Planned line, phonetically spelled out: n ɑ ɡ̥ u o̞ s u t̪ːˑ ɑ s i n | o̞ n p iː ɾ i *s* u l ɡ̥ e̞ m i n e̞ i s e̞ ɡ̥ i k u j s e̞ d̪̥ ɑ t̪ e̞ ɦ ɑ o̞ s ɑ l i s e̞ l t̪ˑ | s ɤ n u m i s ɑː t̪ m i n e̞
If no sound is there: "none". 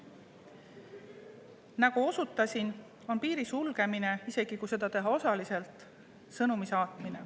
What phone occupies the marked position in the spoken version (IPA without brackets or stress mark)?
s